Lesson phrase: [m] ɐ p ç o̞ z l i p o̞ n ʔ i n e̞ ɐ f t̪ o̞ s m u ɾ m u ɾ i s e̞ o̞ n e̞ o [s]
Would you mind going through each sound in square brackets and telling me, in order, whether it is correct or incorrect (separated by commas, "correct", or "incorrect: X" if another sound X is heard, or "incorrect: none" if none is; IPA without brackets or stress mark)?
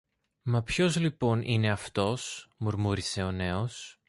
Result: correct, correct